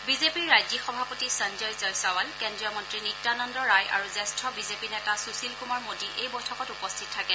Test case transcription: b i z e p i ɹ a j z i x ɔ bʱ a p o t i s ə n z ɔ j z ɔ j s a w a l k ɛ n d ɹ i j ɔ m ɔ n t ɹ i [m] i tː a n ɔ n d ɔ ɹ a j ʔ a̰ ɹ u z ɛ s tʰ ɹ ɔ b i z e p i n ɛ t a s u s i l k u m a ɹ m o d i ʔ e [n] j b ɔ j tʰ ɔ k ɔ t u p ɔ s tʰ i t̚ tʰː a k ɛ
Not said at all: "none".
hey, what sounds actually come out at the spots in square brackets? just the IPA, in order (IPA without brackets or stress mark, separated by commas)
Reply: n, none